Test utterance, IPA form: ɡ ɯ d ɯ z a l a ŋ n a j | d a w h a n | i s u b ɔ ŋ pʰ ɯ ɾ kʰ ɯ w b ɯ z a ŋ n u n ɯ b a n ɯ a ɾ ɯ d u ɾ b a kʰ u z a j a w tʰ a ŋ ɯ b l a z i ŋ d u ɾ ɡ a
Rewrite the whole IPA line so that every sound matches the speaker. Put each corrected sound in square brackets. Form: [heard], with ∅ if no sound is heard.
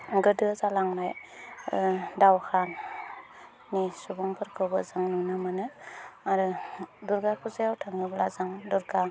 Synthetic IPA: ɡ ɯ d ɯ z a l a ŋ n a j | d a w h a n | i s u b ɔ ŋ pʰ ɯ ɾ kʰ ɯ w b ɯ z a ŋ n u n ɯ [m] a n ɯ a ɾ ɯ d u ɾ [ɡ] a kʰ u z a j a w tʰ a ŋ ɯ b l a z [a] ŋ d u ɾ ɡ a